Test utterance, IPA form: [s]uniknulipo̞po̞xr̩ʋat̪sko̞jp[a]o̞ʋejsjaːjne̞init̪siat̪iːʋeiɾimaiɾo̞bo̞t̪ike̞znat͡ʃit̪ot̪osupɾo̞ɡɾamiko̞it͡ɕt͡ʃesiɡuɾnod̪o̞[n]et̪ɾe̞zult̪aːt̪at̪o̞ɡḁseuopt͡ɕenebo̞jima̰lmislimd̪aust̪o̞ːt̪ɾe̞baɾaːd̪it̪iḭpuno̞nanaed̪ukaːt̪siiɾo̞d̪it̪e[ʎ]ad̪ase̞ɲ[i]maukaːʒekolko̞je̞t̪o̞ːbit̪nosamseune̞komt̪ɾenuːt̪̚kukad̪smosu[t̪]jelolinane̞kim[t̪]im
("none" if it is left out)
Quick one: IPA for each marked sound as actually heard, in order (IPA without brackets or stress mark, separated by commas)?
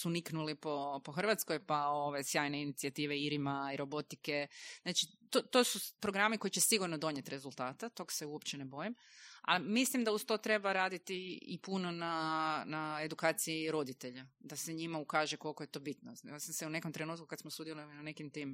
s, a, ɲ, ʎ, i, d̪, t̪